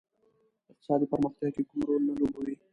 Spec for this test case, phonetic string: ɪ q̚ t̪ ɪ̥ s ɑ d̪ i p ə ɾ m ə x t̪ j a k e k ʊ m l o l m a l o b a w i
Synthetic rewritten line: ɪ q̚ t̪ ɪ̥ s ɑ d̪ i p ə ɾ m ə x t̪ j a k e k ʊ m ɾ o l n a l o b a w i